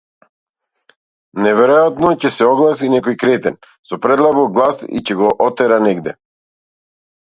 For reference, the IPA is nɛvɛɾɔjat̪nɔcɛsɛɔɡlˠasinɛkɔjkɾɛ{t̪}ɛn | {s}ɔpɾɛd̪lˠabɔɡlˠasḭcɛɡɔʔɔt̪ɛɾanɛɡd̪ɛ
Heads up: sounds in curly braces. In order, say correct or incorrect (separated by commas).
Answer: correct, correct